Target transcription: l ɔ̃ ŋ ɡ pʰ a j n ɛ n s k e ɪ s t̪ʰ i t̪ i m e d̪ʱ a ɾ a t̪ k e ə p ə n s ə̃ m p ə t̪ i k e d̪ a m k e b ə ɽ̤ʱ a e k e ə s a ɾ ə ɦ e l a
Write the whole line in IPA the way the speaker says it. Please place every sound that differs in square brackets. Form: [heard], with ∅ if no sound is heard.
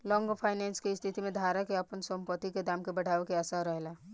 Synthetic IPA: l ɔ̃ ŋ ɡ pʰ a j n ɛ n s k e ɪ s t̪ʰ i t̪ i m e d̪ʱ a ɾ a [∅] k e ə p ə n s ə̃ m p ə t̪ i k e d̪ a m k e b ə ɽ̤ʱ a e k e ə s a ɾ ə ɦ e l a